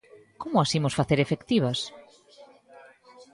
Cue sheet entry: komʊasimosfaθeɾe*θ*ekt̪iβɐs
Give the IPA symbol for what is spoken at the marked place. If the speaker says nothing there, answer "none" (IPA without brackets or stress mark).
f